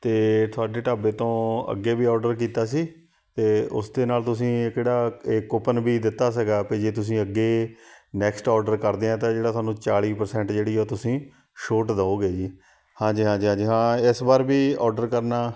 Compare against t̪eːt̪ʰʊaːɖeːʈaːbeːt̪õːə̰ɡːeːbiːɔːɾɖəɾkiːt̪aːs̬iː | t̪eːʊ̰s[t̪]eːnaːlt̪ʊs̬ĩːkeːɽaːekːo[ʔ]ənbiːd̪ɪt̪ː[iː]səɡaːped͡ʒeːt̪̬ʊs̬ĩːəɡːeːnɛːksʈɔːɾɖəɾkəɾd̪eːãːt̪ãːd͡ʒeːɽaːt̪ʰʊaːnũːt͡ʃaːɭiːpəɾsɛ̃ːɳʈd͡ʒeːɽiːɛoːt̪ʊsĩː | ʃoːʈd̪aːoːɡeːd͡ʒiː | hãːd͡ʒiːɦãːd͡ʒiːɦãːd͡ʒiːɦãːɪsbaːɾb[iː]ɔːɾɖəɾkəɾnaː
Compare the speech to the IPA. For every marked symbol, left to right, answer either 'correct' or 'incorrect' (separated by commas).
incorrect, incorrect, incorrect, correct